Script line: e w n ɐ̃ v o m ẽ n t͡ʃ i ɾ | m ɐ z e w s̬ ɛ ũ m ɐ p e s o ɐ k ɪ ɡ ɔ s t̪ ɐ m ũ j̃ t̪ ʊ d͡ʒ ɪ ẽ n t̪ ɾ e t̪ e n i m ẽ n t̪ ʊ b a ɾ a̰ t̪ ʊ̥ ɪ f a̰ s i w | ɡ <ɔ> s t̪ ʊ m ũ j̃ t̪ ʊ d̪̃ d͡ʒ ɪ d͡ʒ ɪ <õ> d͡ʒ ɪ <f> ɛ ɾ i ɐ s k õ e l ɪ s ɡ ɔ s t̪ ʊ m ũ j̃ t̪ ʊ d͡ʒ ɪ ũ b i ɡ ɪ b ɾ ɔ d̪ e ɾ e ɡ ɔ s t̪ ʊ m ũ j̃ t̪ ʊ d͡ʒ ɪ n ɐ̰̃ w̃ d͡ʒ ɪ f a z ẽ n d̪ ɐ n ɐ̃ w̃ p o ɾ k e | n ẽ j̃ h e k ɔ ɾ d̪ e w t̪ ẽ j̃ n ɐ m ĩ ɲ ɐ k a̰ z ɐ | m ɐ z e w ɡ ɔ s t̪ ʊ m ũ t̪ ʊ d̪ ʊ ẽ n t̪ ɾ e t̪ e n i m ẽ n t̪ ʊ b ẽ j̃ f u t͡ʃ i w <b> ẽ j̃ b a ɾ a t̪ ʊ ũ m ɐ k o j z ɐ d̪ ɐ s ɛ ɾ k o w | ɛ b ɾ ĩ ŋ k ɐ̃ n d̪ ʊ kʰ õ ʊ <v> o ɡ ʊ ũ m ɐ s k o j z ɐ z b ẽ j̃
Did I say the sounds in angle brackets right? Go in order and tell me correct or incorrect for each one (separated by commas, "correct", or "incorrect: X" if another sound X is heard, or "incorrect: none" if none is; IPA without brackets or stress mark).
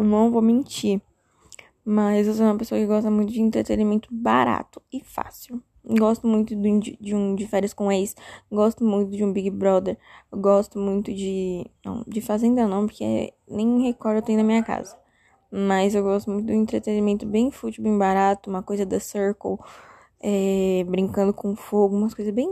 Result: correct, incorrect: ũ, correct, correct, incorrect: f